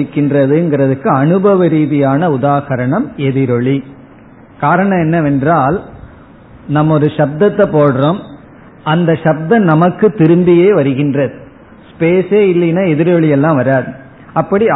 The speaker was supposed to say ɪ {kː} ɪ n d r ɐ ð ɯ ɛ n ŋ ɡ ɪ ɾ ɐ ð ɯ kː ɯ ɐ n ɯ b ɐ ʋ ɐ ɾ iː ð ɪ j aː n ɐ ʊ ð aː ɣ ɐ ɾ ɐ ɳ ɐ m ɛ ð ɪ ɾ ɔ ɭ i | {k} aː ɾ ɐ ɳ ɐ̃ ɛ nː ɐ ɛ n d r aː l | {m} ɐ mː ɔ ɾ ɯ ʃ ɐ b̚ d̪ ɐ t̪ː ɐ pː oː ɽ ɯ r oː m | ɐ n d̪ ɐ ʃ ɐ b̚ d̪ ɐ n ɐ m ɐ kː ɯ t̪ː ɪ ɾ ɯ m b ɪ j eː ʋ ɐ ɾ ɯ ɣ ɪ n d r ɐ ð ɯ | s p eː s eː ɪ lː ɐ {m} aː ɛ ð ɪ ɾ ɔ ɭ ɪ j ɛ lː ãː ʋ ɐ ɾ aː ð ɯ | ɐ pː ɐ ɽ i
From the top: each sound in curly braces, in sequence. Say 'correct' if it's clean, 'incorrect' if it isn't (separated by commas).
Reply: correct, correct, incorrect, incorrect